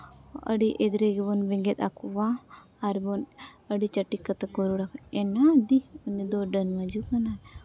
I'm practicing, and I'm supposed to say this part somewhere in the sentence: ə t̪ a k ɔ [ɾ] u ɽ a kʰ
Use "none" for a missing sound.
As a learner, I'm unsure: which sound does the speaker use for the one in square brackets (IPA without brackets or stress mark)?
ɾ